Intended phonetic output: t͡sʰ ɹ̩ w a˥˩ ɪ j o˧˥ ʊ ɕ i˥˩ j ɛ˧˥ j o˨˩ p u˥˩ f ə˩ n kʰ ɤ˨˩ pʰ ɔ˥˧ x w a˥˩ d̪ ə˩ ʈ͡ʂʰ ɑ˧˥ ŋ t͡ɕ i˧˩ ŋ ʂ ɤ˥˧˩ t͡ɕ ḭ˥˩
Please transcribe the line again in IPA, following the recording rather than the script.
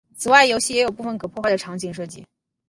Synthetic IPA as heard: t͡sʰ ɹ̩ w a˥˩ ɪ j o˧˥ ʊ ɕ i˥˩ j ɛ˧˥ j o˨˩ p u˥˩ f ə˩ n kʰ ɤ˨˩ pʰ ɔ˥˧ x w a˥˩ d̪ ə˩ ʈ͡ʂʰ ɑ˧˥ ŋ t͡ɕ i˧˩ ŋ ʂ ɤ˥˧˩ t͡ɕ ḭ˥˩

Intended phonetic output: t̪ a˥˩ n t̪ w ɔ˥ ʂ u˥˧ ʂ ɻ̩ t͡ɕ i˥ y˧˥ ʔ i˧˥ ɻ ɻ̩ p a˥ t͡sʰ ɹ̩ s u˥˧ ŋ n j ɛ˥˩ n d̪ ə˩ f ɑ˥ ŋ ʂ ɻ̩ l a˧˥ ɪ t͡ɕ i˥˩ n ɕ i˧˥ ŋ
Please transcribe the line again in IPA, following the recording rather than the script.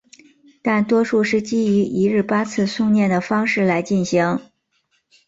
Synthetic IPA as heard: t̪ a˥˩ n t̪ w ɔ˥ ʂ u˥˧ ʂ ɻ̩ t͡ɕ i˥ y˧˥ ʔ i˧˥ ɻ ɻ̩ p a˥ t͡sʰ ɹ̩ s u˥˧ ŋ n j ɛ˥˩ n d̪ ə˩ f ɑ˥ ŋ ʂ ɻ̩ l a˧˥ ɪ t͡ɕ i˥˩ n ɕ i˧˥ ŋ

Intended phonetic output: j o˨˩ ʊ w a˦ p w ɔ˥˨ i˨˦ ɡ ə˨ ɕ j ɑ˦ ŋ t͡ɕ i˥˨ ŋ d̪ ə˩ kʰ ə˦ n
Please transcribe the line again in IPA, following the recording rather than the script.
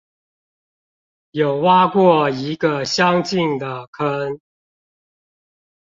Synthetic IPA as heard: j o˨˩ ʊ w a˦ k w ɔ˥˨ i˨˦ ɡ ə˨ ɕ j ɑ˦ ŋ t͡ɕ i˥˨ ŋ d̪ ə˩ kʰ ə˦ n

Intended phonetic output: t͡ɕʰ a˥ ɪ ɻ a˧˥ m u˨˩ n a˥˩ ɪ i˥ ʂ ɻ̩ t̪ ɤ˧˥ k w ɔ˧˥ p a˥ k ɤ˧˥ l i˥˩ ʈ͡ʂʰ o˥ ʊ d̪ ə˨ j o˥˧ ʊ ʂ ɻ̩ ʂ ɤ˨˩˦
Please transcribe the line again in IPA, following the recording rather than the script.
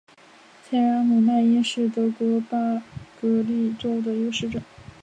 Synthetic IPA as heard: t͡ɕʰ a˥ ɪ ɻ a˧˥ m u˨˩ n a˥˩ ɪ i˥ ʂ ɻ̩ t̪ ɤ˧˥ k w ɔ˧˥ p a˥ k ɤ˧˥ l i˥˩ ʈ͡ʂ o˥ ʊ d̪ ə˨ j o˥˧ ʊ ʂ ɻ̩ ʈ͡ʂ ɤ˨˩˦

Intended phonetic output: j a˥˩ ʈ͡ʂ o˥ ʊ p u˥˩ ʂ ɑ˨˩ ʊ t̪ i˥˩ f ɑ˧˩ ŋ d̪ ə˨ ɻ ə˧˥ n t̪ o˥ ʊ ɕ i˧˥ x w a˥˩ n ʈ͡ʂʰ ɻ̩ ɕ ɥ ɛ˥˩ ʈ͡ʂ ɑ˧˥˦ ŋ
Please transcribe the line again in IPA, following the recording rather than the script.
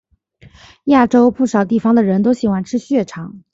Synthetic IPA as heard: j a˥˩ ʈ͡ʂ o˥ ʊ p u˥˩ ʂ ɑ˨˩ ʊ t̪ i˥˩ f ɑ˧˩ ŋ d̪ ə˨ ɻ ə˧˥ n t̪ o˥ ʊ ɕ i˨˩ x w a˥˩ n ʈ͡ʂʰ ɻ̩ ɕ ɥ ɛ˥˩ ʈ͡ʂʰ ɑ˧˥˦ ŋ

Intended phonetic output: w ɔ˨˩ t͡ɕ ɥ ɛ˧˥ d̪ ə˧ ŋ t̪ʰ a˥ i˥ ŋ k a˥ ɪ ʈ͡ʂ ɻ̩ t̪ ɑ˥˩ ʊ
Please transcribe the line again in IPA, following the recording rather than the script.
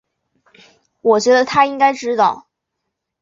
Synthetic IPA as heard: w ɔ˨˩ t͡ɕ ɥ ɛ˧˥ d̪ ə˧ t̪ʰ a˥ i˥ ŋ k a˥ ɪ ʈ͡ʂ ɻ̩ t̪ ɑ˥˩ ʊ

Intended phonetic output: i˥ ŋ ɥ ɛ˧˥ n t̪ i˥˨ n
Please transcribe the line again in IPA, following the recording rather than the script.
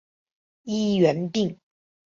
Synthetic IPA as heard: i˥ ɥ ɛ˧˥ n t̪ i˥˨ ŋ

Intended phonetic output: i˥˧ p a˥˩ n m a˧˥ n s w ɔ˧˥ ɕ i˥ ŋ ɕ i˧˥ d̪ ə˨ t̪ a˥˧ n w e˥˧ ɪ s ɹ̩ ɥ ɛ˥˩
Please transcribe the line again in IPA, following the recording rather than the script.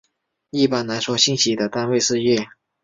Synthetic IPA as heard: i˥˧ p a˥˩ n n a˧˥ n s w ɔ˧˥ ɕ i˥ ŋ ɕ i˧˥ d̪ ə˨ t̪ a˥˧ n w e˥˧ ɪ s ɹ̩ ɥ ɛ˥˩

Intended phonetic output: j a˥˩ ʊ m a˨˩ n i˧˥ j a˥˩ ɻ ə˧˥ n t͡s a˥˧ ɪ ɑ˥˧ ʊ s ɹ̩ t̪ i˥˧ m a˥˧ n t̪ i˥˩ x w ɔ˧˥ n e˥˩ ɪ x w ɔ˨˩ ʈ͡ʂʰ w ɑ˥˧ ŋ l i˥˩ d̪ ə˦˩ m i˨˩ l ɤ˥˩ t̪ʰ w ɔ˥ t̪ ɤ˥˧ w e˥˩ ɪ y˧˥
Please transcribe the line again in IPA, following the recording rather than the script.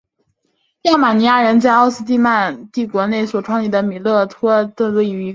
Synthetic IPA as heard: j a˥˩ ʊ m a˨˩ n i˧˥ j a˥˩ ɻ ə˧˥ n t͡s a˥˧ ɪ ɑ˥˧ ʊ s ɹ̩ t̪ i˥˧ m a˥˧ n t̪ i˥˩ k w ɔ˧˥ n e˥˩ ɪ s w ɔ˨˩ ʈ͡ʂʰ w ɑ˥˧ ŋ l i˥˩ d̪ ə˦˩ m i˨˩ l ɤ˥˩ t̪ʰ w ɔ˥ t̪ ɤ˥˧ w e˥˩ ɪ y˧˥

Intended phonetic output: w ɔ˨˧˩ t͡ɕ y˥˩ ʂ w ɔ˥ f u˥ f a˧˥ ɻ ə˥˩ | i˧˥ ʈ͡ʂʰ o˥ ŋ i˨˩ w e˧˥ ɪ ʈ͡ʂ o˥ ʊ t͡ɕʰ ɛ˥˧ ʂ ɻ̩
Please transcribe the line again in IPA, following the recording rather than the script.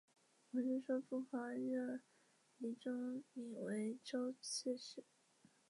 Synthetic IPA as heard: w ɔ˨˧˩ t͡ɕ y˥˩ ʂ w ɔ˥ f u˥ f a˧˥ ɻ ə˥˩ | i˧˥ ʈ͡ʂ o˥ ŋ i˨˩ w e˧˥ ɪ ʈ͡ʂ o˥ ʊ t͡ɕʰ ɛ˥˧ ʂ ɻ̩

